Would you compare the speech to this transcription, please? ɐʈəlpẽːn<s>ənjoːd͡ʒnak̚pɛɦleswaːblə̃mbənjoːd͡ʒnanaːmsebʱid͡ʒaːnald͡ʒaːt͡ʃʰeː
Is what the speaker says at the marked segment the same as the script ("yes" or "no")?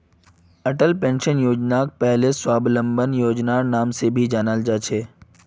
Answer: no